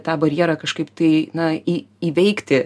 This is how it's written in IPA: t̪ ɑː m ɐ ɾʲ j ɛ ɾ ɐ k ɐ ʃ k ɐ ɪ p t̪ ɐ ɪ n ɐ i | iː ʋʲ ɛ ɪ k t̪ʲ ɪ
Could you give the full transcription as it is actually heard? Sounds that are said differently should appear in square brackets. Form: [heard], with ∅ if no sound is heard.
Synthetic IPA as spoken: t̪ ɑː [b] ɐ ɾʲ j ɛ ɾ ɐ k ɐ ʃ k ɐ ɪ p t̪ ɐ ɪ n ɐ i | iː ʋʲ ɛ ɪ k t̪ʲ ɪ